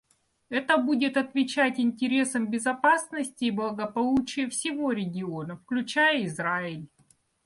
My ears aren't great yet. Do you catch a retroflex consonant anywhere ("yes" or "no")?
no